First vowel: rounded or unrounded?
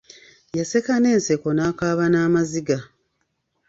unrounded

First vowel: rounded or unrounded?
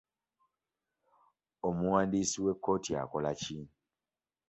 rounded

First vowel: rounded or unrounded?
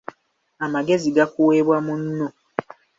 unrounded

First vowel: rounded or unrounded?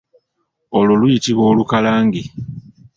rounded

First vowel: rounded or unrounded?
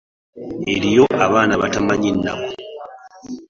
unrounded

